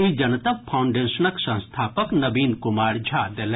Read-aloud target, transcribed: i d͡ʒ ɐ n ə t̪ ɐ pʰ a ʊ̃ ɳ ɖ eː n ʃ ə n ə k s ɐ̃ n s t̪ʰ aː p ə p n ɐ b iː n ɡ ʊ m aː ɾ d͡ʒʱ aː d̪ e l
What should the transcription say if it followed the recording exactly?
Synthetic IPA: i d͡ʒ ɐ n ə t̪ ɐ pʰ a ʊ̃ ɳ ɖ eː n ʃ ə n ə k s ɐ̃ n s t̪ʰ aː p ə k n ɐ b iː n k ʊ m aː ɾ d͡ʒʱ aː d̪ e l